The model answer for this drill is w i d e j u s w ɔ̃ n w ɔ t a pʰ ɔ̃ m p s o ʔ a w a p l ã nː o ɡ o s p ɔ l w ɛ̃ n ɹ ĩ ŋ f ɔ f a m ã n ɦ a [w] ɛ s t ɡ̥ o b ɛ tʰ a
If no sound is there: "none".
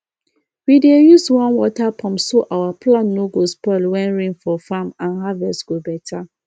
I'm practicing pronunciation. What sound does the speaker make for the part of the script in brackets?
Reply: v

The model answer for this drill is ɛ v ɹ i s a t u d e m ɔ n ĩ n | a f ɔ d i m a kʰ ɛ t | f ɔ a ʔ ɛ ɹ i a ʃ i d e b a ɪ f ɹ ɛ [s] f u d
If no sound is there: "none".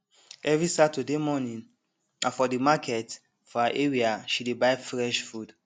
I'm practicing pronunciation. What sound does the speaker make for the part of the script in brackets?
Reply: ʃ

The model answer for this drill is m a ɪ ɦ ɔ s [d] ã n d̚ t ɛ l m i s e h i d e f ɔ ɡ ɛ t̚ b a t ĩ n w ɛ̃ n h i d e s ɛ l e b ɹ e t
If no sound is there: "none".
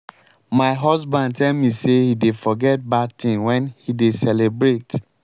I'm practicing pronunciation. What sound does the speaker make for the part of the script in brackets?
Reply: b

